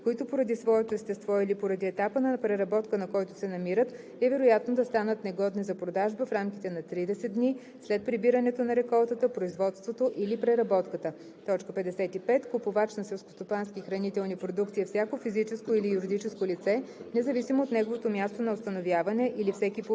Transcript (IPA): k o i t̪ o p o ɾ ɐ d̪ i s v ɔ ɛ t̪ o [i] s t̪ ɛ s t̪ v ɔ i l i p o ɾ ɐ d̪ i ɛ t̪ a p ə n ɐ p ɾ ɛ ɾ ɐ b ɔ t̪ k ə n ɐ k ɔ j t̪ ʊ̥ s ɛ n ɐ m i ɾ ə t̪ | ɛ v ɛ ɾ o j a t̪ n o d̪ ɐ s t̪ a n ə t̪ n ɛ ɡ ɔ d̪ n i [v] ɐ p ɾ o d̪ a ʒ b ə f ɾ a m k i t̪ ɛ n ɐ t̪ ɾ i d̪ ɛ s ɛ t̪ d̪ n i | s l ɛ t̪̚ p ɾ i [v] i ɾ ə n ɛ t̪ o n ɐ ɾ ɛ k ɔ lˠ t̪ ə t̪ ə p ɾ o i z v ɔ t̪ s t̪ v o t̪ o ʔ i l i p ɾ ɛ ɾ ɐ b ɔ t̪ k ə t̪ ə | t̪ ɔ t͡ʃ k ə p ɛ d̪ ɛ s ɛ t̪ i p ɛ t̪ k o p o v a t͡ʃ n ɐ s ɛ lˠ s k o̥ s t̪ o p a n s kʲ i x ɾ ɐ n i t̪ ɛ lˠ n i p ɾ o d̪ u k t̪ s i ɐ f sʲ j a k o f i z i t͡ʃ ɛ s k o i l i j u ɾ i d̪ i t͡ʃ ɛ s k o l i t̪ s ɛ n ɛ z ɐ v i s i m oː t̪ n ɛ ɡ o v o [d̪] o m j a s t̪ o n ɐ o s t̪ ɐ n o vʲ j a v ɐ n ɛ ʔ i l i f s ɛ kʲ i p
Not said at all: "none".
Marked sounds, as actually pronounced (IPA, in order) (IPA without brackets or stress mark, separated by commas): ɛ, z, b, t̪